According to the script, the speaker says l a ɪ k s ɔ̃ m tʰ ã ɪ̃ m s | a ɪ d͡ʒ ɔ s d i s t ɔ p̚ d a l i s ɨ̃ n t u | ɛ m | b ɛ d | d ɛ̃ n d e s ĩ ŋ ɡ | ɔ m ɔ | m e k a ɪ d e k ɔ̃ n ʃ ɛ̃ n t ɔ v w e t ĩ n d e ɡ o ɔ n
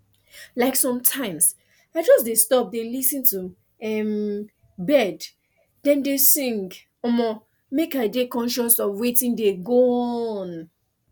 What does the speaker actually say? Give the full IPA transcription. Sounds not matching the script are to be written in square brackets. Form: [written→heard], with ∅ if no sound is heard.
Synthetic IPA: l a ɪ k s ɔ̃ m tʰ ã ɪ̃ m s | a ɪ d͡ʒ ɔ s d [i→e] s t ɔ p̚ d [a→e] l i s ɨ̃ n t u | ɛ m | b ɛ d | d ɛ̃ n d e s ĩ ŋ ɡ | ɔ m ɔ | m e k a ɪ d e k ɔ̃ n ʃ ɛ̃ n [t→s] ɔ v w e t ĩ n d e ɡ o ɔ n

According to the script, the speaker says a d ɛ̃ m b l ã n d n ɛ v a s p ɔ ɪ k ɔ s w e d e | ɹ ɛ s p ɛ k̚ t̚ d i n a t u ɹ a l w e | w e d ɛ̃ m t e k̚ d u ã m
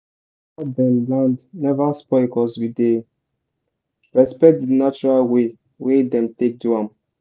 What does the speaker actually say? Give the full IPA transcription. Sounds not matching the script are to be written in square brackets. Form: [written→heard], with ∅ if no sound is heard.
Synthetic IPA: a d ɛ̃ m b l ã n d n ɛ v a s p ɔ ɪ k ɔ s w [e→i] d e | ɹ ɛ s p ɛ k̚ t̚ d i n a [t→t͡ʃ] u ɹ a l w e | w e d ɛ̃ m t e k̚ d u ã m

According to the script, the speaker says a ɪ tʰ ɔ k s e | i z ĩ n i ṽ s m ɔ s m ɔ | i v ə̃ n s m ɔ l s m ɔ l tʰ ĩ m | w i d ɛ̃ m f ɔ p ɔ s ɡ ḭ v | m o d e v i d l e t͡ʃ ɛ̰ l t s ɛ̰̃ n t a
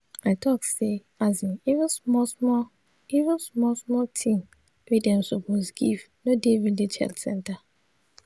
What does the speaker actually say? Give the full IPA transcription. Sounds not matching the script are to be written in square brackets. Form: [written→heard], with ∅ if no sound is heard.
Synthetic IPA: a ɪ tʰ ɔ k s e | [i→a] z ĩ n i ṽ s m ɔ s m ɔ | i v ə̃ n s m ɔ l s m ɔ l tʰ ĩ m | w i d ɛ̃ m [f→s] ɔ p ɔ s ɡ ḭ v | [m→n] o d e v i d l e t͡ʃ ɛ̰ l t s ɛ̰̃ n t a

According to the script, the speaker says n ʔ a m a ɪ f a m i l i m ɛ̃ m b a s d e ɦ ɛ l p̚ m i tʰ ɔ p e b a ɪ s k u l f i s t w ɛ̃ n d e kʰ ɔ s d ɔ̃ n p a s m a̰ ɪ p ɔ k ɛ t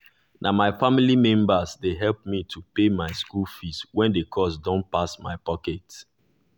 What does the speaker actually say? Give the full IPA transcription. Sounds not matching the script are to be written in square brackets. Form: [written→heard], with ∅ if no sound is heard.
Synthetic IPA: n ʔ a m a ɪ f a m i l i m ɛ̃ m b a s d e ɦ ɛ l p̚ m i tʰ [ɔ→u] p e [b→m] a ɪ s k u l f i s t w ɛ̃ n d e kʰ ɔ s d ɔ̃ n p a s m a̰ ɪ p ɔ k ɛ t

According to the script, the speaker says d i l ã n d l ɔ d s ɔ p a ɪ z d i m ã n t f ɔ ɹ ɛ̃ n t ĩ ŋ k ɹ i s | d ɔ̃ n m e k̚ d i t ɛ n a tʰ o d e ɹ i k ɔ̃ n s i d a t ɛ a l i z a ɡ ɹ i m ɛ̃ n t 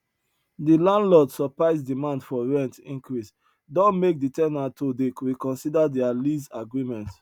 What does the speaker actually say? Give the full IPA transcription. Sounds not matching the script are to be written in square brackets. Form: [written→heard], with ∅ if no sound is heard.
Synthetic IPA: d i l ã n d l ɔ d s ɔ p a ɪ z d i m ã n [t→d] f ɔ ɹ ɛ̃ n t ĩ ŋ k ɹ i s | d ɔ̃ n m e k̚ d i t ɛ n a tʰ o d e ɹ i k ɔ̃ n s i d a [t→d] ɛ a l i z a ɡ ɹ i m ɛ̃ n t

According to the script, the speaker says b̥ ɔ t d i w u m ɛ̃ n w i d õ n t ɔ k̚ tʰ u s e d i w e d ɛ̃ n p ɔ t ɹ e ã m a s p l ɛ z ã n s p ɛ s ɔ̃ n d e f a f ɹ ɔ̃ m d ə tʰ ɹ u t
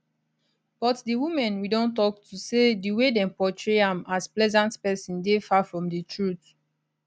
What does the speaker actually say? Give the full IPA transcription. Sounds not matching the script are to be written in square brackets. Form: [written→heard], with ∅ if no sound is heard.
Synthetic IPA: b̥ ɔ t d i w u m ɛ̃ n w i d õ n t ɔ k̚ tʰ u s e d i w e d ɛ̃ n p ɔ t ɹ e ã m a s p l ɛ z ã n [s→t] p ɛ s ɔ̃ n d e f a f ɹ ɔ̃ m d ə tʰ ɹ u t

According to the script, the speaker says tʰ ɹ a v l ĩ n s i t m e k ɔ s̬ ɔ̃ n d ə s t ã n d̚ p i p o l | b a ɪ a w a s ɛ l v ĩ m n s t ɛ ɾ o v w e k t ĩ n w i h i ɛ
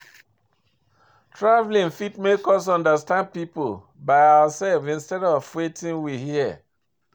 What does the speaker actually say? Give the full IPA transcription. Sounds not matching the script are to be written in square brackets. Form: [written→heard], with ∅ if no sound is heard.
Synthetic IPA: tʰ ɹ a v l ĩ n [s→f] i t m e k ɔ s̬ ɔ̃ n d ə s t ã n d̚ p i p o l | b a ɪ a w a s ɛ l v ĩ [m→∅] n s t ɛ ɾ [o→ɔ] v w e [k→∅] t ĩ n w i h i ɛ

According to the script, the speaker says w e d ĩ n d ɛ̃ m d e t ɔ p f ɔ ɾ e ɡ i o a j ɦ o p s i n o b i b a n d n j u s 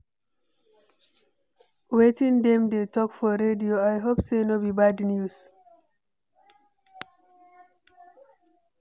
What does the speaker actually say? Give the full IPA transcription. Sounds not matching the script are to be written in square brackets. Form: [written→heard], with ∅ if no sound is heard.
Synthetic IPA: w e [d→t] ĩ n d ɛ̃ m d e t ɔ [p→k] f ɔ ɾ e [ɡ→d] i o a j ɦ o p s [i→e] n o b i b a [n→∅] d n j u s

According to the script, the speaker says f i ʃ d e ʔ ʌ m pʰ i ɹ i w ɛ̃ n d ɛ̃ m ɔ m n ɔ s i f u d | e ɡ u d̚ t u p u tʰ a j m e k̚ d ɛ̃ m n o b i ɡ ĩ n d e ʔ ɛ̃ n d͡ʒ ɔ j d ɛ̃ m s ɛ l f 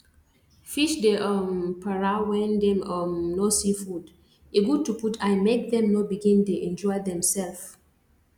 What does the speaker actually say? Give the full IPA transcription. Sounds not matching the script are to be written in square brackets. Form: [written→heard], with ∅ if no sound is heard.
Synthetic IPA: f i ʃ d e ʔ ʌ m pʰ [i→a] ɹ [i→a] w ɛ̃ n d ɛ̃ m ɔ m n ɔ s i f u d | e ɡ u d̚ t u p u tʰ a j m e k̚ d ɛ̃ m n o b i ɡ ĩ n d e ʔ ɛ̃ n d͡ʒ ɔ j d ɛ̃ m s ɛ l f

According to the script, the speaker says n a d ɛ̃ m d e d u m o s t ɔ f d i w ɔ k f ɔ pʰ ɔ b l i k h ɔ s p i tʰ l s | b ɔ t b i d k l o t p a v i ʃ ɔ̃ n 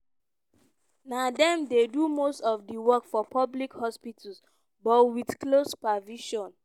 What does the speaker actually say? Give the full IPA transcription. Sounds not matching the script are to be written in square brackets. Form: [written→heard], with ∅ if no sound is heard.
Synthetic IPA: n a d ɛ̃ m d e d u m o s t ɔ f d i w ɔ k f ɔ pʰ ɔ b l i k h ɔ s p i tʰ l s | b ɔ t [b→w] i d k l o [t→s] p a v i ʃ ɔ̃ n

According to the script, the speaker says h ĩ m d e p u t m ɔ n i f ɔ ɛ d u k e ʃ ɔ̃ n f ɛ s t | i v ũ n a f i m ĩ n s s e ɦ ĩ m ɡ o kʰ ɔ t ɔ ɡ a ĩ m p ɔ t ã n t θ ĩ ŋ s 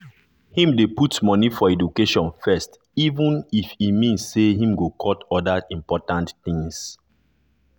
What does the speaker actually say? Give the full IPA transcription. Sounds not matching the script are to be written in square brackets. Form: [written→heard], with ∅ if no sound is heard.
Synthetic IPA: h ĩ m d e p u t m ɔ n i f ɔ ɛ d u k e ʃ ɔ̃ n f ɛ s t | i v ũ n [a→i] f i m ĩ n s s e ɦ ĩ m ɡ o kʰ ɔ t ɔ [ɡ→d] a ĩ m p ɔ t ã n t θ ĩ ŋ s

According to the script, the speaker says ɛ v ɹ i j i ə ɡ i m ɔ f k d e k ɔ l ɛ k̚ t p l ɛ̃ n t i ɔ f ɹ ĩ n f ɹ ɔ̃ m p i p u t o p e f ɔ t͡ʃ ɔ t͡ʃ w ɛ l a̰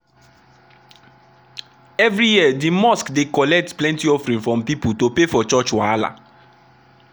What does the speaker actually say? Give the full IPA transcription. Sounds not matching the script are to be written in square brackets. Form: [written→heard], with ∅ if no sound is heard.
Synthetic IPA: ɛ v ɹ i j i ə [ɡ→d] i m ɔ [f→s] k d e k ɔ l ɛ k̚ t p l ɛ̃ n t i ɔ f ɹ ĩ n f ɹ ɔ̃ m p i p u t o p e f ɔ t͡ʃ ɔ t͡ʃ w [ɛ→a] l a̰

